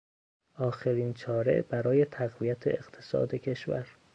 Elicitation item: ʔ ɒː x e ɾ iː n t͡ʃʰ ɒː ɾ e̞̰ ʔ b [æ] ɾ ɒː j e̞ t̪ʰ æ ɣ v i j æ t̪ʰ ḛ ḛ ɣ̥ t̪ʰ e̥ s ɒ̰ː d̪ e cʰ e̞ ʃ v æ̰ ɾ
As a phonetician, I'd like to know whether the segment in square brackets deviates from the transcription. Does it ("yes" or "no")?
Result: no